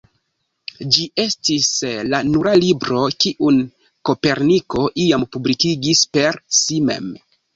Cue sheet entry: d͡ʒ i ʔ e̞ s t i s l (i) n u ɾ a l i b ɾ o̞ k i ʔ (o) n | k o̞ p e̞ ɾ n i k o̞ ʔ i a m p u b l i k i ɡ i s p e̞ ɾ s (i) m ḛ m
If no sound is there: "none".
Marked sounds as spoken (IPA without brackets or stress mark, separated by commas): a, u, i